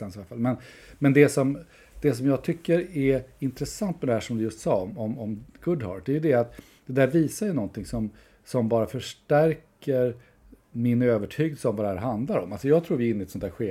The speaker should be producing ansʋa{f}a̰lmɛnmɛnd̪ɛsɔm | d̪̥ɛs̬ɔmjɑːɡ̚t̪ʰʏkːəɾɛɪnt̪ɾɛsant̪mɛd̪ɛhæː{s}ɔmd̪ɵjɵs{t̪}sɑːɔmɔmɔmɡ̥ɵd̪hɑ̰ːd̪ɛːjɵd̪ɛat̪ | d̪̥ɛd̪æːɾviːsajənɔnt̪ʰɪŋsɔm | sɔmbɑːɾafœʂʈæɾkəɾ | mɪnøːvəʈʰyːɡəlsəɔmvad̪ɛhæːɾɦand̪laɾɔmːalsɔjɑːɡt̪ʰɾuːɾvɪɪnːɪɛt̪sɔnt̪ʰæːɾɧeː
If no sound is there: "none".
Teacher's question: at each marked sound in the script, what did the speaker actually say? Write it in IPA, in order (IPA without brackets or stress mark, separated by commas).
f, ʂ, t̪